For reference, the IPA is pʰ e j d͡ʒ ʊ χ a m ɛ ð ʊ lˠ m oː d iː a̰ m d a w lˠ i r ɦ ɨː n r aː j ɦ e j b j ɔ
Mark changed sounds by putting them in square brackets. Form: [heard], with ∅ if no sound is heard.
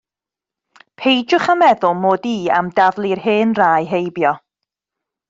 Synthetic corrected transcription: pʰ e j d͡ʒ ʊ χ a m ɛ ð ʊ lˠ m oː d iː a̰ m d a [v] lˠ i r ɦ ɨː n r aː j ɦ e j b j ɔ

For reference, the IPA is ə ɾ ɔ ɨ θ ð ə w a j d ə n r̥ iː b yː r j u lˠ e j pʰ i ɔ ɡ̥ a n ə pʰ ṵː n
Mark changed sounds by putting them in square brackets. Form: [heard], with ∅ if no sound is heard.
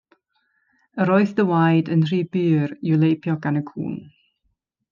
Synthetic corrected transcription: ə ɾ ɔ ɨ θ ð ə w a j d ə n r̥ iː b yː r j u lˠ e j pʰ [j] ɔ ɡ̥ a n ə [kʰ] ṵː n

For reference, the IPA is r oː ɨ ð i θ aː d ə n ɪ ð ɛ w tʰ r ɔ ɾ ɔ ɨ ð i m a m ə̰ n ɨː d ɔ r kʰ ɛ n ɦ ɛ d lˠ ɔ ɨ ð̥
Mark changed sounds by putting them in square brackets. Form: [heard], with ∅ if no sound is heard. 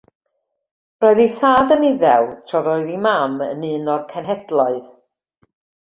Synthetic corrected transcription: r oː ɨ ð i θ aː d ə n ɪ ð ɛ w tʰ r ɔ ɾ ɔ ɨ ð i m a m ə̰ n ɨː [n] ɔ r kʰ ɛ n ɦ ɛ d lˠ ɔ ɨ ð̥

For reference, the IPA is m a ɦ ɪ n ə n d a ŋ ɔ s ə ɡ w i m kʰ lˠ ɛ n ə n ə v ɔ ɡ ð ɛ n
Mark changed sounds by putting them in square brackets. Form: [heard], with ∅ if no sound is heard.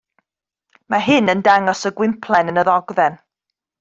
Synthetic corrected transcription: m a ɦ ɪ n ə n d a ŋ ɔ s ə ɡ w [ɪ] m [pʰ] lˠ ɛ n ə n ə [ð] ɔ ɡ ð ɛ n

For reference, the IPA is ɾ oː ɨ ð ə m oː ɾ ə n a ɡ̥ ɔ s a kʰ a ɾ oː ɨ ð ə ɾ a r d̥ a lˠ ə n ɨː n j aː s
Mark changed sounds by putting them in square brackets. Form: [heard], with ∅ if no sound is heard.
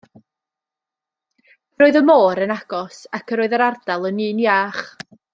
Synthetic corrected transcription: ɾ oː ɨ ð ə m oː ɾ ə n a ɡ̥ ɔ s a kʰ [ə] ɾ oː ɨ ð ə ɾ a r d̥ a lˠ ə n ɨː n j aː [χ]

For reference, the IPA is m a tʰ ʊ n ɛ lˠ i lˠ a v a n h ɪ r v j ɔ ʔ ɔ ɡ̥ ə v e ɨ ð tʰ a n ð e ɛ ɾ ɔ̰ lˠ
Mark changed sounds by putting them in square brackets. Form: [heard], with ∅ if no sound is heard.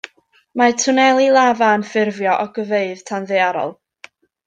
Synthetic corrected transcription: m a tʰ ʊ n ɛ lˠ i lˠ a v a n [f] ɪ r v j ɔ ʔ ɔ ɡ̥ ə v e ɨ ð tʰ a n ð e [a] ɾ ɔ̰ lˠ

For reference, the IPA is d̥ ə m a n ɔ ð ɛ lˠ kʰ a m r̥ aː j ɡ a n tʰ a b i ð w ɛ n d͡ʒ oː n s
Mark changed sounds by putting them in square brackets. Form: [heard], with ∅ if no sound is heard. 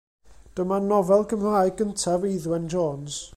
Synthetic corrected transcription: d̥ ə m a n ɔ [v] ɛ lˠ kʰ [ə] m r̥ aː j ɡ [ə] n tʰ a [v] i ð w ɛ n d͡ʒ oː n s

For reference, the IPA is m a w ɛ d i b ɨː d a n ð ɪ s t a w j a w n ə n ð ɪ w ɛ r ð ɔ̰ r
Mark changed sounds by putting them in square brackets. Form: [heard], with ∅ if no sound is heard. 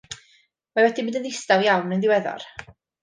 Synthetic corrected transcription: m a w ɛ d i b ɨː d [ə] n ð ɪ s t a w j a w n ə n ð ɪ w ɛ [∅] ð ɔ̰ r

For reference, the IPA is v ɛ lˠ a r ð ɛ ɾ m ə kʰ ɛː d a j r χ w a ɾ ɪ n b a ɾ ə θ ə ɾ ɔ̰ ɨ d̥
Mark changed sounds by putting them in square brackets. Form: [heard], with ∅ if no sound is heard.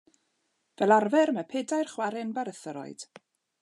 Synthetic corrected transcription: v ɛ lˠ a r [v] ɛ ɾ m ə [pʰ] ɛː d a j r χ w a ɾ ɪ n b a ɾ ə θ ə ɾ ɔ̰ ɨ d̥

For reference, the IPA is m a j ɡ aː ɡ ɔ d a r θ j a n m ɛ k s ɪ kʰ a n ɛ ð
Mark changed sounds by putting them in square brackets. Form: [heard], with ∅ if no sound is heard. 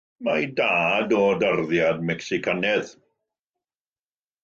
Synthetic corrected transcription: m a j [d] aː [d] ɔ d a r [ð] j a [d] m ɛ k s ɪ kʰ a n ɛ ð

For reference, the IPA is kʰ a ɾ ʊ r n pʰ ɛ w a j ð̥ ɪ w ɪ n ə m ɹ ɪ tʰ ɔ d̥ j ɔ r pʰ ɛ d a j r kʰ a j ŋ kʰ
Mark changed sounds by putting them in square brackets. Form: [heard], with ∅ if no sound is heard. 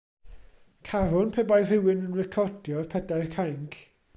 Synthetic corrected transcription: kʰ a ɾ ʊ [∅] n pʰ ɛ [b] a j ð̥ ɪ w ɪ n ə [n] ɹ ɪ [kʰ] ɔ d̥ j ɔ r pʰ ɛ d a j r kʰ a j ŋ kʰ

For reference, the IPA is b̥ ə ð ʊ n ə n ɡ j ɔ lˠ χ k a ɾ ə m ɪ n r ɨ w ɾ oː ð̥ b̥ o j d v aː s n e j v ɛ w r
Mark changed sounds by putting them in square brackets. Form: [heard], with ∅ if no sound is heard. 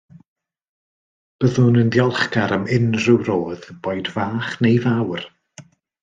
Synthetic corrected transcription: b̥ ə ð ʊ n ə n [d] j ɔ lˠ χ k a ɾ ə m ɪ n r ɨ w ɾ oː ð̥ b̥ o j d v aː [χ] n e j v [a] w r

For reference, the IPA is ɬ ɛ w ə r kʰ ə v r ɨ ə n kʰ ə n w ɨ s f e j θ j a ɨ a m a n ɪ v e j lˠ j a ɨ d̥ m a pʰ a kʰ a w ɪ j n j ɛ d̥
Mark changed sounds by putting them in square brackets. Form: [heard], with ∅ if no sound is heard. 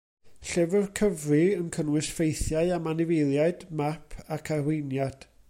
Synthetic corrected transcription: ɬ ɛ [v] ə r kʰ ə v r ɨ ə n kʰ ə n w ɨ s f e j θ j a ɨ a m a n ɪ v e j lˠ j a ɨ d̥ m a pʰ a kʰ a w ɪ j n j [a] d̥

